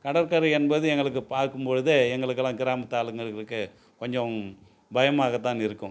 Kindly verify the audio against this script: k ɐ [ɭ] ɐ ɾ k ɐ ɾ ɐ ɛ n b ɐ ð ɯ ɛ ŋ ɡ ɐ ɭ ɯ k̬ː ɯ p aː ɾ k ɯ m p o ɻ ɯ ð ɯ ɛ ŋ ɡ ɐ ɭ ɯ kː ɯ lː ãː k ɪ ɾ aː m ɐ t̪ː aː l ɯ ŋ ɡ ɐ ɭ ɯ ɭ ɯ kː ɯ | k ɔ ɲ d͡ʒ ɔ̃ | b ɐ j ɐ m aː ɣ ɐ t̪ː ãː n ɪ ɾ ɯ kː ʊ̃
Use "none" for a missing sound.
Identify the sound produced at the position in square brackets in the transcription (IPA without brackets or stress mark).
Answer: ɽ